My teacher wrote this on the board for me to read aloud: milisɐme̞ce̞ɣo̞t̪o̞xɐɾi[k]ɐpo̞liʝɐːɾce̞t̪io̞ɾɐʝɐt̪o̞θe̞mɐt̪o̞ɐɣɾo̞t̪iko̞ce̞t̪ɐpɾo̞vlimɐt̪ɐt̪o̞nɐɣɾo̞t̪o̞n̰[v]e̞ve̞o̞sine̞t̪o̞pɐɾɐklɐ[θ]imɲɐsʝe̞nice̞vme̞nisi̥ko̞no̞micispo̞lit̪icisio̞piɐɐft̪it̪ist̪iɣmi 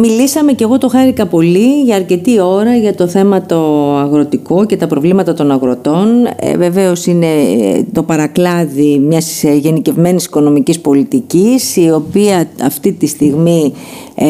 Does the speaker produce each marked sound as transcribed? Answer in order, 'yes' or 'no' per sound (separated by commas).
yes, yes, no